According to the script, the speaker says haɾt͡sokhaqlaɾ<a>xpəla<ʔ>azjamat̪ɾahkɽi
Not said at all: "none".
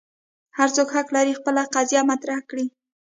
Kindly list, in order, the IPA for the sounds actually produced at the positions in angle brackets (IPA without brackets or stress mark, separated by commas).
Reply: i, q